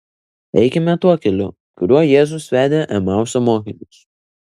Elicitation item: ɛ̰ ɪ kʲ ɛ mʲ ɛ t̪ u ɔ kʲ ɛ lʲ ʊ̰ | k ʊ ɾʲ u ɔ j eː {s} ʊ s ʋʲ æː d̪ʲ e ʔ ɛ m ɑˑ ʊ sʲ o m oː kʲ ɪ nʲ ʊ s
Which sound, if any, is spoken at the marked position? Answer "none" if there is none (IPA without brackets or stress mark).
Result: z